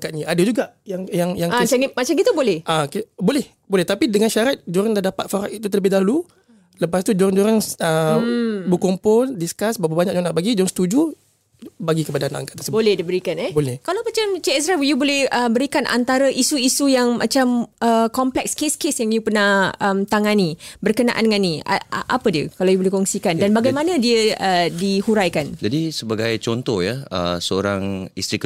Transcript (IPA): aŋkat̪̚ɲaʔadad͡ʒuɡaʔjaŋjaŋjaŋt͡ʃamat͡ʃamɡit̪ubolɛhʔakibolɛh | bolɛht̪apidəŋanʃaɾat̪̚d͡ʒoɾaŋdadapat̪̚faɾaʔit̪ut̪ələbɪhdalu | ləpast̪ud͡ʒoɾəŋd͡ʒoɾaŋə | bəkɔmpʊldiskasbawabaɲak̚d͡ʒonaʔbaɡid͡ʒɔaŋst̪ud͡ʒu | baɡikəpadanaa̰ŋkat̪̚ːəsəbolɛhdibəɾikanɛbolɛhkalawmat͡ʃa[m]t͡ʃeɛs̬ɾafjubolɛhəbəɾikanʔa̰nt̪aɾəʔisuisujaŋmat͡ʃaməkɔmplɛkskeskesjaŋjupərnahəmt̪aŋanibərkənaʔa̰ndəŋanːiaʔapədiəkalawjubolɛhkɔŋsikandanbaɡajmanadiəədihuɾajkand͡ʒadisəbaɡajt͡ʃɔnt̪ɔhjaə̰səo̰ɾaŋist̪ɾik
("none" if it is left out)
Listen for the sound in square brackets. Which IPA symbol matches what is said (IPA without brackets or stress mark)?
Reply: m